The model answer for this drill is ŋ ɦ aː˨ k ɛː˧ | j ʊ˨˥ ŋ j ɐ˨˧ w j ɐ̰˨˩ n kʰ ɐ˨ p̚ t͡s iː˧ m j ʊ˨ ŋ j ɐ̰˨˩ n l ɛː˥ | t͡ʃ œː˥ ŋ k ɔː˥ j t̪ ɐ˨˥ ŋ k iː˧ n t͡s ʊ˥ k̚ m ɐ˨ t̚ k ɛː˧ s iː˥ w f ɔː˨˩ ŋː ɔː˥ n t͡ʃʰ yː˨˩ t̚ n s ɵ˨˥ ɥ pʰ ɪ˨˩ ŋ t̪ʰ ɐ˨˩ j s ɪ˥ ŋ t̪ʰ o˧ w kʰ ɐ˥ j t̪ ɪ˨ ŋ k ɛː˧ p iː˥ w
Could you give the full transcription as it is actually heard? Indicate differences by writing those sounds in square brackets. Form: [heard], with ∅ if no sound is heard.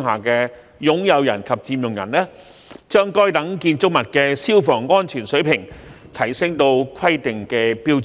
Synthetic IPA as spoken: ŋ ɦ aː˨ k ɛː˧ | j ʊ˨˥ ŋ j ɐ˨˧ w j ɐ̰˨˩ n kʰ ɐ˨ p̚ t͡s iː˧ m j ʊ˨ ŋ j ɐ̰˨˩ n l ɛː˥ | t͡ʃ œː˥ ŋ k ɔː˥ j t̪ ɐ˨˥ ŋ k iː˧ n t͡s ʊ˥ k̚ m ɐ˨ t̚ k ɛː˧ s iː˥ w f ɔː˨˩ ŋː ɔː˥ n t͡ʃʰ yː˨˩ [∅] n s ɵ˨˥ ɥ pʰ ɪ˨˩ ŋ t̪ʰ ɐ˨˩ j s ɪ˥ ŋ [t̪] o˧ w kʰ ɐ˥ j t̪ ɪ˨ ŋ k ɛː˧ p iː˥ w

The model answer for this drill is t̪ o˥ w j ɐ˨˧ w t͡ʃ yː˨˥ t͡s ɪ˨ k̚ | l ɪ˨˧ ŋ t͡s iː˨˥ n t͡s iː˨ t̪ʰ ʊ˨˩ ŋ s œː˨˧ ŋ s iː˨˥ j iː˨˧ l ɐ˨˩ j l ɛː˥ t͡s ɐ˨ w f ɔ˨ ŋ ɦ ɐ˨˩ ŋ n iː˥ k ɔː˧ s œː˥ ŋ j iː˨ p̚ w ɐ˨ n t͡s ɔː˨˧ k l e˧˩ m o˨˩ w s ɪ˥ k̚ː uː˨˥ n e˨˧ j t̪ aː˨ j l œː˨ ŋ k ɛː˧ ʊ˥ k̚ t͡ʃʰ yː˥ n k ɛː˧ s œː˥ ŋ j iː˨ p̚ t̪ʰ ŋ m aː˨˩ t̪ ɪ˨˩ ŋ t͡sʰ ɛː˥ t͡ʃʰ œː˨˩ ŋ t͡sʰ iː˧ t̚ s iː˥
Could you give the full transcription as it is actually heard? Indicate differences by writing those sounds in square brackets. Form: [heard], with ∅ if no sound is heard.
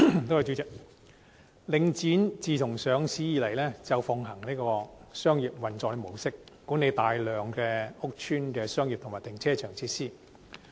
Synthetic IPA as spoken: t̪ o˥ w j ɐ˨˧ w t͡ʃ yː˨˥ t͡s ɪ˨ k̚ | l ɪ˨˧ ŋ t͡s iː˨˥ n t͡s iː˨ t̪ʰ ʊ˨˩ ŋ s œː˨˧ ŋ s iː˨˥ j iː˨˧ l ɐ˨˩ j l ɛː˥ t͡s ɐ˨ w f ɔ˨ ŋ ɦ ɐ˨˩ ŋ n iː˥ k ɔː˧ s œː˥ ŋ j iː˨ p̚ w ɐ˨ n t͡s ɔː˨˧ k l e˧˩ m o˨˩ w s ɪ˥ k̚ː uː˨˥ n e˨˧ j t̪ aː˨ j l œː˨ ŋ k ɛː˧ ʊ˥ k̚ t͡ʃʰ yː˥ n k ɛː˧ s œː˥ ŋ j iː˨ p̚ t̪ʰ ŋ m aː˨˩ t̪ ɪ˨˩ ŋ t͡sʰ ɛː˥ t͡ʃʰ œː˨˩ ŋ t͡sʰ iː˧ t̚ s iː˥

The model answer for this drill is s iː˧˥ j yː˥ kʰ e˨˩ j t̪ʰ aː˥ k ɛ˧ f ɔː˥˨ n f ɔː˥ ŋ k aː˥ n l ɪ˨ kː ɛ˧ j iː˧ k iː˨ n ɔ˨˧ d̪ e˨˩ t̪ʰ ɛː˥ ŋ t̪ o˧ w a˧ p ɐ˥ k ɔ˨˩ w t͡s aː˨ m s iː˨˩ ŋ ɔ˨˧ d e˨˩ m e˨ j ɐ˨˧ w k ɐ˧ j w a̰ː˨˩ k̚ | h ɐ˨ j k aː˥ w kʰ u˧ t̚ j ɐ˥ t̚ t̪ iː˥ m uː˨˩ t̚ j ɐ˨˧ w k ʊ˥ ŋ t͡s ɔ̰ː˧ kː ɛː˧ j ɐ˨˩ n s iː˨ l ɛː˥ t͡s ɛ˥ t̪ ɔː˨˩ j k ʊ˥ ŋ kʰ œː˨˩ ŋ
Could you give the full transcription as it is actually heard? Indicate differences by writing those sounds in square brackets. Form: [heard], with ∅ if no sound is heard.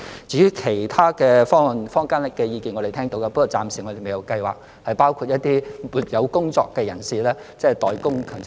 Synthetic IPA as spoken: [t͡s] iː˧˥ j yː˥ kʰ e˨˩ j t̪ʰ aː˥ k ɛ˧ f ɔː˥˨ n f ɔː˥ ŋ k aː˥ n l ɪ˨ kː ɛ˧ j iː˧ k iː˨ n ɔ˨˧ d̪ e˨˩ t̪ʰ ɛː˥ ŋ t̪ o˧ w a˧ p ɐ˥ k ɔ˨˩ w t͡s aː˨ m s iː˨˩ ŋ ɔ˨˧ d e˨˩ m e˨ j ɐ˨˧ w k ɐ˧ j w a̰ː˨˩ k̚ | h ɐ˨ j [p] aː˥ w kʰ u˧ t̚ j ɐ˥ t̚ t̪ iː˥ m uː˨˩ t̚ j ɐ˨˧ w k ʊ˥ ŋ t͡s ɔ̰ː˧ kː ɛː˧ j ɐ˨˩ n s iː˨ l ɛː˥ t͡s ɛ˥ t̪ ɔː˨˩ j k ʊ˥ ŋ kʰ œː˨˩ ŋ

